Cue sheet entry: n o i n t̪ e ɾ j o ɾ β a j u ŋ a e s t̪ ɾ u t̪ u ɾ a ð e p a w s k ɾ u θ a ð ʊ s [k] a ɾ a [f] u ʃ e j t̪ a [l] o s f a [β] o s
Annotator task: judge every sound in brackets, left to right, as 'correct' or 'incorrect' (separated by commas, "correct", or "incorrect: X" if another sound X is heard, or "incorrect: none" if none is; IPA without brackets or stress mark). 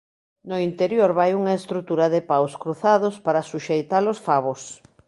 incorrect: p, incorrect: s, correct, correct